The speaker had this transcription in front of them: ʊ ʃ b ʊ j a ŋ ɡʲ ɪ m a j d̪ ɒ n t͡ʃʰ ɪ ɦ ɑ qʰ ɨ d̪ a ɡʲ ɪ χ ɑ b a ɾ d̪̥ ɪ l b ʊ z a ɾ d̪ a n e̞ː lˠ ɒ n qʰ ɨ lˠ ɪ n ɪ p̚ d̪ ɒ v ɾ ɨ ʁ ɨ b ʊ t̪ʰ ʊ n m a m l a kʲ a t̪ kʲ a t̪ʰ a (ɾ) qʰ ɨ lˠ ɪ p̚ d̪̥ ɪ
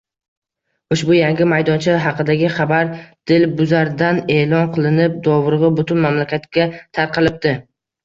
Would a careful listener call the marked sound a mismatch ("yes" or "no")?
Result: no